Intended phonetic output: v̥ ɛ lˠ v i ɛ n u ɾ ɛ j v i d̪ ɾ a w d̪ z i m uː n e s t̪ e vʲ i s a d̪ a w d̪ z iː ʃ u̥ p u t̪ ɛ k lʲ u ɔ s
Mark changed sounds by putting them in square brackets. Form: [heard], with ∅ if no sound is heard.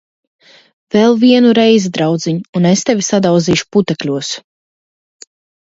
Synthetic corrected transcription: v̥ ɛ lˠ v i ɛ n u ɾ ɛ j [z] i d̪ ɾ a w d̪ z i [ɲ] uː n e s t̪ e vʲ i s a d̪ a w d̪ z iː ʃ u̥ p u t̪ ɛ k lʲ u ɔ s